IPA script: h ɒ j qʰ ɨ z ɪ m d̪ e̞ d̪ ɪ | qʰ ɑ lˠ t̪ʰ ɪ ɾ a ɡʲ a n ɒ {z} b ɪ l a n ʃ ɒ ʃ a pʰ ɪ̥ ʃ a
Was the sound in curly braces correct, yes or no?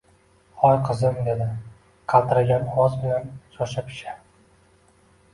yes